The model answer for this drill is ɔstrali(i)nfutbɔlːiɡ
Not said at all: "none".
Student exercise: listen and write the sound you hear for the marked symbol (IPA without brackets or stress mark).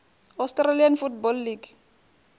a